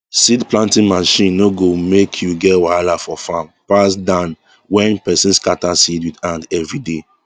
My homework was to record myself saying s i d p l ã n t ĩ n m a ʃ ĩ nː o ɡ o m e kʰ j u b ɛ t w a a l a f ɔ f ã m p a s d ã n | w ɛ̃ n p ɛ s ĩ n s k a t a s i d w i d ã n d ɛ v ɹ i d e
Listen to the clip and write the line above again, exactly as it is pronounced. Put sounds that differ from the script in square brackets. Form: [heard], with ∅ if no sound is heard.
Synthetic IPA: s i d p l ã n t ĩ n m a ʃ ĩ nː o ɡ o m e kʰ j u [ɡ] ɛ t w a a l a f ɔ f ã m p a s d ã n | w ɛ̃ n p ɛ s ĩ n s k a t a s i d w i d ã n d ɛ v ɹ i d e